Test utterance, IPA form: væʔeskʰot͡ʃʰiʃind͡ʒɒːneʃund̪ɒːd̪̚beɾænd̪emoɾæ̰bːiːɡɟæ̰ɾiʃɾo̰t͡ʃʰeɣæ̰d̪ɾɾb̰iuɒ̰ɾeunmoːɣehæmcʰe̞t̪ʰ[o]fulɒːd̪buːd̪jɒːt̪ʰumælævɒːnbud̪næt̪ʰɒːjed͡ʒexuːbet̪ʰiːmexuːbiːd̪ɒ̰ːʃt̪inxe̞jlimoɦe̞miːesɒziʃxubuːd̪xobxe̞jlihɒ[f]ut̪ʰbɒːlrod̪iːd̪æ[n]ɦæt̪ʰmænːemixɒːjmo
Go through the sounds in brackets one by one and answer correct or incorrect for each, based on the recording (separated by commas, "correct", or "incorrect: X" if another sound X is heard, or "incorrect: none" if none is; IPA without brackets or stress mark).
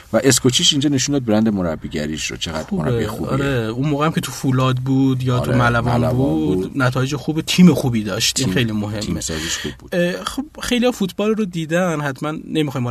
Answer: incorrect: u, correct, correct